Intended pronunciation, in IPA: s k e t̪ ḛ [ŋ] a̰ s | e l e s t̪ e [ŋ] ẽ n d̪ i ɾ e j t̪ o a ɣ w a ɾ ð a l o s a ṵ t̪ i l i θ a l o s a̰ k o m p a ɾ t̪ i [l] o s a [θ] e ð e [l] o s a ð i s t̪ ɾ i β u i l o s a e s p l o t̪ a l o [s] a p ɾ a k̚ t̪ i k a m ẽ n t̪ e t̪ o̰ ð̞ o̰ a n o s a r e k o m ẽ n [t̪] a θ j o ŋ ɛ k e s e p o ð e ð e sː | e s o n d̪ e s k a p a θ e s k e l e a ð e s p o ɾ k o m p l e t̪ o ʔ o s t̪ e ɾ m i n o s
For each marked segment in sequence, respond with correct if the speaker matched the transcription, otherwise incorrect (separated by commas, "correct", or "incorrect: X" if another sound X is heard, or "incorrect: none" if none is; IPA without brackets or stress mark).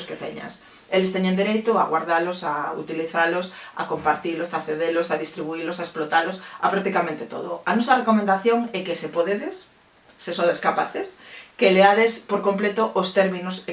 incorrect: ɲ, incorrect: ɲ, correct, correct, correct, correct, incorrect: d̪